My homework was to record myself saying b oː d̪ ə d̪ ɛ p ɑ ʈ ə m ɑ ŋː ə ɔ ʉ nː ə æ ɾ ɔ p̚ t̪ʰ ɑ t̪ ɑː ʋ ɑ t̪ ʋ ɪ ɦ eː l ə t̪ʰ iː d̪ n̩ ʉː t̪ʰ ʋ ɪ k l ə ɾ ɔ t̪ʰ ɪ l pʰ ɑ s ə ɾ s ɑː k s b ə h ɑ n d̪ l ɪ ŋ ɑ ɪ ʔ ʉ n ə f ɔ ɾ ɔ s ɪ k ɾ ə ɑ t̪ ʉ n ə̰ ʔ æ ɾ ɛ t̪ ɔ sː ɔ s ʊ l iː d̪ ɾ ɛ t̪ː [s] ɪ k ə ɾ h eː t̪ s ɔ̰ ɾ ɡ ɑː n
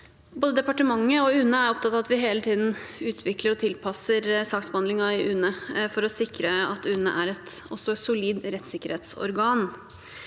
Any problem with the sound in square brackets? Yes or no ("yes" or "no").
no